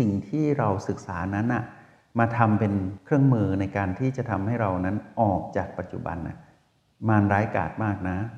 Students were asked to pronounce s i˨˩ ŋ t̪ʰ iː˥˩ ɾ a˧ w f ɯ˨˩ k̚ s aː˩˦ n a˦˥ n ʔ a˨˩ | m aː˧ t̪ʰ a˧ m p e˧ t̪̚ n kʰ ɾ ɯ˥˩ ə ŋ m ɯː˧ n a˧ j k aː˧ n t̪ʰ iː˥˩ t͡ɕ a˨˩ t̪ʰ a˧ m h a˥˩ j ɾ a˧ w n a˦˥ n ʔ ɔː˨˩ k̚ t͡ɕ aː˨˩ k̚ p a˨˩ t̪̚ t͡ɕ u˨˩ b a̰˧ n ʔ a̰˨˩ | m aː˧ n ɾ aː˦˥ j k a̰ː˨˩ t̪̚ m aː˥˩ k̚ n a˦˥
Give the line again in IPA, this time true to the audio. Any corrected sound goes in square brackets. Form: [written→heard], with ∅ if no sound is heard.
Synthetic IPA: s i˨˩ ŋ t̪ʰ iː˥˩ ɾ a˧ w [f→s] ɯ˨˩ k̚ s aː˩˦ n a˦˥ n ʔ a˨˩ | m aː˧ t̪ʰ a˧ m p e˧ [t̪̚→∅] n kʰ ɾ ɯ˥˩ ə ŋ m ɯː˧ n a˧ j k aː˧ n t̪ʰ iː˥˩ t͡ɕ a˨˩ t̪ʰ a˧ m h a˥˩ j ɾ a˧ w n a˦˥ n ʔ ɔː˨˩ k̚ t͡ɕ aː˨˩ k̚ p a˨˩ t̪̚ t͡ɕ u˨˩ b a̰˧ n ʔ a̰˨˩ | m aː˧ n ɾ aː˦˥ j k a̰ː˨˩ t̪̚ m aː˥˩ k̚ n a˦˥